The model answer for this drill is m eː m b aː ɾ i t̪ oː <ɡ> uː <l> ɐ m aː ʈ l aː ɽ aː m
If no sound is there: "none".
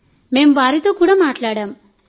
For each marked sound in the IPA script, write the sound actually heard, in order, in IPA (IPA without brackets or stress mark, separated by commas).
k, ɽ